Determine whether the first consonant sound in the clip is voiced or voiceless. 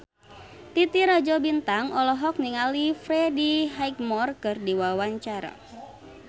voiceless